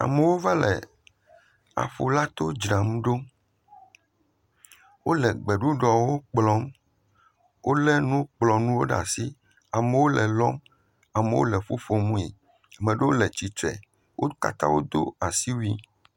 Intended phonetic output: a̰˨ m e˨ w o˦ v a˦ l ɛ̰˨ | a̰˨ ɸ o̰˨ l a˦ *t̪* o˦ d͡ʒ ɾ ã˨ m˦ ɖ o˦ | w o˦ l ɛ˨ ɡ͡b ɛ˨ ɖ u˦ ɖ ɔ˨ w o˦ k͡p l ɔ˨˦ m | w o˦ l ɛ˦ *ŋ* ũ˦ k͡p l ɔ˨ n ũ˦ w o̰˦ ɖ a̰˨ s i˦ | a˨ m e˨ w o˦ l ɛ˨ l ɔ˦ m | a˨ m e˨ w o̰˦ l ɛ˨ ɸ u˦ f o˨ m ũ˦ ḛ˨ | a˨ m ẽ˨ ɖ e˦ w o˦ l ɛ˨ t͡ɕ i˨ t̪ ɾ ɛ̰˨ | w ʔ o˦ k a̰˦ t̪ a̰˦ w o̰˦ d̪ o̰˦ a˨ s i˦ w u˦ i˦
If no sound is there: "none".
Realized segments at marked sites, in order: t̪, n

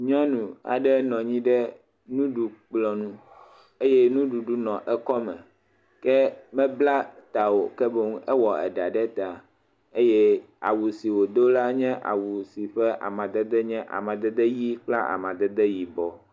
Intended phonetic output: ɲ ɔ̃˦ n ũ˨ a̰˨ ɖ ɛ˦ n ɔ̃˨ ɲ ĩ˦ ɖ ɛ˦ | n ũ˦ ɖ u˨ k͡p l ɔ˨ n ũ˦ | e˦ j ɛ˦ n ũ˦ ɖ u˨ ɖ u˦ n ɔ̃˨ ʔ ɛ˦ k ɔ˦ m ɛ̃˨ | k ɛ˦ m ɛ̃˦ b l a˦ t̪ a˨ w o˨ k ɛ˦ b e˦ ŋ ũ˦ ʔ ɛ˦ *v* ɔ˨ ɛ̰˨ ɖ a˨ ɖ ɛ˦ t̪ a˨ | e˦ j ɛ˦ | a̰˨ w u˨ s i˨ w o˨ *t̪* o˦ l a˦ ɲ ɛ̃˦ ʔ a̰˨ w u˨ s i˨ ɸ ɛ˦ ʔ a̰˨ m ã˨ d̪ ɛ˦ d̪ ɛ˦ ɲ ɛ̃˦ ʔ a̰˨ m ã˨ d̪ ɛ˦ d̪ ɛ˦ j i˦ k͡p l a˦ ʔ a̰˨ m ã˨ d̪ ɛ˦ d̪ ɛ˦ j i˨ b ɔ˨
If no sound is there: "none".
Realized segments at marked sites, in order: w, d̪

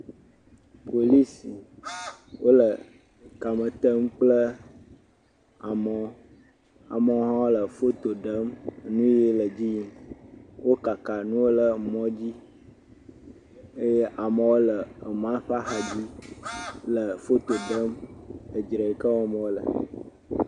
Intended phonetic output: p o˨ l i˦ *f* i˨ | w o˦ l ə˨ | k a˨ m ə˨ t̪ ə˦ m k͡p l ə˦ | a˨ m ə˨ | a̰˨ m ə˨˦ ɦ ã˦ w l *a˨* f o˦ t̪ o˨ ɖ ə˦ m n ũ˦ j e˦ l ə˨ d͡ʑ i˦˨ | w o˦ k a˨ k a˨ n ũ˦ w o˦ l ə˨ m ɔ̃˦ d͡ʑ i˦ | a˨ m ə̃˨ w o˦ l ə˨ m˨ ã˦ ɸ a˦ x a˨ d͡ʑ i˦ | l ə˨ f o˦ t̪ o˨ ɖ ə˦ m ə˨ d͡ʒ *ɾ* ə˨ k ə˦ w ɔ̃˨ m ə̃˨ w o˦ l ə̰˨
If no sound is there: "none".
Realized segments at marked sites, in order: s, ə˨, ɾ

